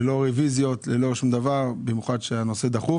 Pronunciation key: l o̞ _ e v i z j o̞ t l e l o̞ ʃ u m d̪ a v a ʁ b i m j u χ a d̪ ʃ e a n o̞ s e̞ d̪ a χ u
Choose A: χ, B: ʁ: B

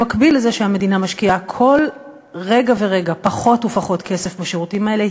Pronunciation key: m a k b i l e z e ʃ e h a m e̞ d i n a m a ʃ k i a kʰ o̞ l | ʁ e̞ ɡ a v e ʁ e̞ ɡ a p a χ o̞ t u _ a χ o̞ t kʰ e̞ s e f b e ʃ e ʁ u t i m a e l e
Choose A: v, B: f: B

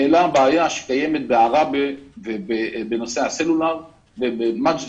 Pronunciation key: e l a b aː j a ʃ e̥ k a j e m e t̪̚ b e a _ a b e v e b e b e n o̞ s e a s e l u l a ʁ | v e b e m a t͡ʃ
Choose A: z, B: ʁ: B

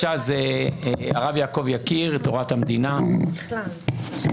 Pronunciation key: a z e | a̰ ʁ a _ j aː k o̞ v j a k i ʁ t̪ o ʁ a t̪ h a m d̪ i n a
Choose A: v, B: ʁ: A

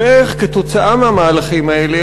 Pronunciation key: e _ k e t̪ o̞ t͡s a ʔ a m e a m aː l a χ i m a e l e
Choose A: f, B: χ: B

